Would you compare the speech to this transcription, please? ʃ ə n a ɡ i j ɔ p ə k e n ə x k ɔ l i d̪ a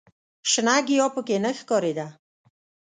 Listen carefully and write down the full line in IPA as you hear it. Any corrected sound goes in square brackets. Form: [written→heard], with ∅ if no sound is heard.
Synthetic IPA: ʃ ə n a ɡ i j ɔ p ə k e n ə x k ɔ [l→ɾ] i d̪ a